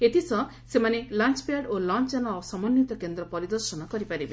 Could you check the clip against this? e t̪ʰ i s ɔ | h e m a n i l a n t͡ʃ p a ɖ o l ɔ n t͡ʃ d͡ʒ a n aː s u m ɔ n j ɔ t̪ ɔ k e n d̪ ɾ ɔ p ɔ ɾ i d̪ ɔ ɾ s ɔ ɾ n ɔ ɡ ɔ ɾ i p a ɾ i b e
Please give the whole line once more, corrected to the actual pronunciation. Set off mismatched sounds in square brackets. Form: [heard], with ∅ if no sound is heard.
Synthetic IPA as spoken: e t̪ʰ i s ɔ | [s] e m a n [e] l a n t͡ʃ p a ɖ o l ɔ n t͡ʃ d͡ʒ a n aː s [ɔ] m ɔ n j [u] t̪ ɔ k e n d̪ ɾ ɔ p ɔ ɾ i d̪ ɔ ɾ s ɔ [∅] n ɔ [k] ɔ ɾ i p a ɾ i b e